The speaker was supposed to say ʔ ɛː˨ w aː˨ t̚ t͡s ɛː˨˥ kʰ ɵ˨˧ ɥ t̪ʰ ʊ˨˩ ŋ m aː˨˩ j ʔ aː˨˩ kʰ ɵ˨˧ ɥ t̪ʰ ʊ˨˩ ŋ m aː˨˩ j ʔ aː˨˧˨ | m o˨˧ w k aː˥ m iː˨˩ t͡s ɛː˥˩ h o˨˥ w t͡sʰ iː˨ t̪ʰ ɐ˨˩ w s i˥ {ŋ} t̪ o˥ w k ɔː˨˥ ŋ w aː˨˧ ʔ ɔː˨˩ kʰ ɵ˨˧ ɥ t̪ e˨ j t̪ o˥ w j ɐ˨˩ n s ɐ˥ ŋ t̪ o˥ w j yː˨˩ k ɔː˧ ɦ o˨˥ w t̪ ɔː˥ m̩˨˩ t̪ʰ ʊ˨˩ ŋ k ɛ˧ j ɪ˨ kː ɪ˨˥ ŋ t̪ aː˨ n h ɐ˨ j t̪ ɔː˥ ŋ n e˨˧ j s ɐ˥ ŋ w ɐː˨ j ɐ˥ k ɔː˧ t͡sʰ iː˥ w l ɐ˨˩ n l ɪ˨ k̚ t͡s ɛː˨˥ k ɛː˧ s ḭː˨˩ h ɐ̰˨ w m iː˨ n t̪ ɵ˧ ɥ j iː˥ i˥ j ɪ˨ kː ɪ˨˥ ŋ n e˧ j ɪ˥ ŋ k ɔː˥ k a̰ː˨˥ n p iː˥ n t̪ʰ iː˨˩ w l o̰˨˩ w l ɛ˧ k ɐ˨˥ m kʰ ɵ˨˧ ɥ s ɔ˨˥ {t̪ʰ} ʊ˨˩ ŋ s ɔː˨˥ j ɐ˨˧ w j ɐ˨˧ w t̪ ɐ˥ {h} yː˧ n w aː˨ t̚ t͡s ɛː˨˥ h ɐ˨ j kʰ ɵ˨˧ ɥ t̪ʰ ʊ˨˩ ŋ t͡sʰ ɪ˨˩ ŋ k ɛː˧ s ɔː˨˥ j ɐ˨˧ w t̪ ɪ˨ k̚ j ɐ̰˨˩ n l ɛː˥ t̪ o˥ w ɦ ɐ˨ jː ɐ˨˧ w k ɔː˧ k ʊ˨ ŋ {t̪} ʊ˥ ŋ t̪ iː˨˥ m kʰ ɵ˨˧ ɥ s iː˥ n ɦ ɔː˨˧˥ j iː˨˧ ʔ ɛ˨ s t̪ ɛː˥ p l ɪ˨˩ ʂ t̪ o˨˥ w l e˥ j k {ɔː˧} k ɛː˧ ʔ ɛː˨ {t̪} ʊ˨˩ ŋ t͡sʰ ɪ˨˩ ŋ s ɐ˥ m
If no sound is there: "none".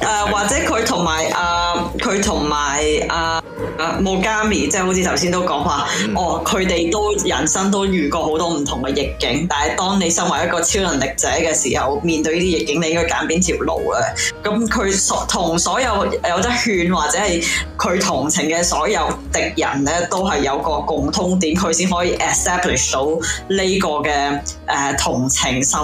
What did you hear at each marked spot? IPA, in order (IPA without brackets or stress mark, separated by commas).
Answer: n, t̪ʰ, h, t̪ʰ, ɔː˧, t̪ʰ